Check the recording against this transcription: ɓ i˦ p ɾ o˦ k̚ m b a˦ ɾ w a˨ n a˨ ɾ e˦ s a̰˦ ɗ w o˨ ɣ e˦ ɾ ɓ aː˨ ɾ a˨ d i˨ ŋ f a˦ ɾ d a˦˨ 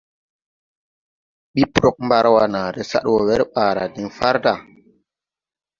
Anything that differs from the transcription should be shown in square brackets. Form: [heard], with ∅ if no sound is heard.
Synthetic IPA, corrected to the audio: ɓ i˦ p ɾ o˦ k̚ m b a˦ ɾ w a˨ n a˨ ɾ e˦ s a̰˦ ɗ w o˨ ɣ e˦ ɾ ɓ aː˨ ɾ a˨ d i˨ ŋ f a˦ ɾ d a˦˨